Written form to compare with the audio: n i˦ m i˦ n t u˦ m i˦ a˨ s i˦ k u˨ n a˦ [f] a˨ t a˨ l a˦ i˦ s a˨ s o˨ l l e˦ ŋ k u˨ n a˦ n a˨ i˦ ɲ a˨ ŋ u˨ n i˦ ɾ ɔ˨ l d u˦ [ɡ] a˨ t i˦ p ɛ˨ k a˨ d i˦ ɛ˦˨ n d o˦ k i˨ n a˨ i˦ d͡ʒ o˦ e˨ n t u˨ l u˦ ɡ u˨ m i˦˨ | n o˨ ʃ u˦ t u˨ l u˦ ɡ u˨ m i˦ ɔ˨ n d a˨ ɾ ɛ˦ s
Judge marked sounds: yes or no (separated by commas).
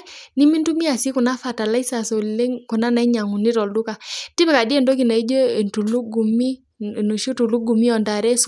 yes, no